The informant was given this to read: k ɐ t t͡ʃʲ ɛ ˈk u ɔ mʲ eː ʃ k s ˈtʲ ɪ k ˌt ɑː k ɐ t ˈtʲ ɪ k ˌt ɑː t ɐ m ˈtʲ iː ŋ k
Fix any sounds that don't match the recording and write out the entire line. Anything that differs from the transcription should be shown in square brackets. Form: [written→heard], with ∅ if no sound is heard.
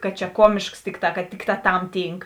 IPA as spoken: k ɐ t t͡ʃʲ ɛ ˈk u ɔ mʲ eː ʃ k s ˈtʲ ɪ k ˌt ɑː k ɐ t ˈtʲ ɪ k ˌt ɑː t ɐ m ˈtʲ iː ŋ k